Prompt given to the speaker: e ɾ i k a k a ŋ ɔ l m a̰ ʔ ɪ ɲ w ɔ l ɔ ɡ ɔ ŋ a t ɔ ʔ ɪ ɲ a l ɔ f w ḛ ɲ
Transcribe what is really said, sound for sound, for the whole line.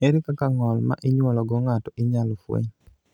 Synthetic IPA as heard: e ɾ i k a k a ŋ ɔ l m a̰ ʔ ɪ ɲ w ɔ l ɔ ɡ ɔ ŋ a t ɔ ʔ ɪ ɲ a l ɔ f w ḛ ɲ